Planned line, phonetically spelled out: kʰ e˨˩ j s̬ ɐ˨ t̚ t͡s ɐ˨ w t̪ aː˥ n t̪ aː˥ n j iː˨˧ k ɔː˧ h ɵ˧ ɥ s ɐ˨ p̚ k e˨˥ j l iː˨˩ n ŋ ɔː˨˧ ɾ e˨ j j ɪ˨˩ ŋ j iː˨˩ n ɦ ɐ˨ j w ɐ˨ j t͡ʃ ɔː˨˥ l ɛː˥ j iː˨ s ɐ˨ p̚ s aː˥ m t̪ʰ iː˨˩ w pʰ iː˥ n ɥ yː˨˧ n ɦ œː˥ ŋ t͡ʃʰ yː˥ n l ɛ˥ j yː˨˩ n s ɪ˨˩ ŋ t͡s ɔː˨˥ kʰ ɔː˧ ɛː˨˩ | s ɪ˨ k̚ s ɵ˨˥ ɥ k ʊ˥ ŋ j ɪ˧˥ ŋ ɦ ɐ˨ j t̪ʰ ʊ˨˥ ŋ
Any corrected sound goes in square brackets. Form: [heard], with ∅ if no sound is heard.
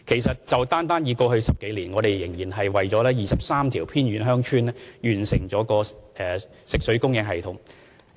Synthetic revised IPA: kʰ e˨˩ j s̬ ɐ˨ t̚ t͡s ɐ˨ w t̪ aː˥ n t̪ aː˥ n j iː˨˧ k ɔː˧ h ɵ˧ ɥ s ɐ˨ p̚ k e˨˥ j l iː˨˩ n ŋ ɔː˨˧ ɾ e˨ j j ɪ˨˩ ŋ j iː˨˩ n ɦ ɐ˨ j w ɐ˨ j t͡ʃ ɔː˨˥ l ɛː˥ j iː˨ s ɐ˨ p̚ s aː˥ m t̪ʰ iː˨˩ w pʰ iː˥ n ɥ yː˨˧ n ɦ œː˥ ŋ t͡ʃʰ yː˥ n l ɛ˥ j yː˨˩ n s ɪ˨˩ ŋ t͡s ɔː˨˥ [k] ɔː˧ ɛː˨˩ | s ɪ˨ k̚ s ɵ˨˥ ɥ k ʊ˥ ŋ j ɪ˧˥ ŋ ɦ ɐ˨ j t̪ʰ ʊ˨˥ ŋ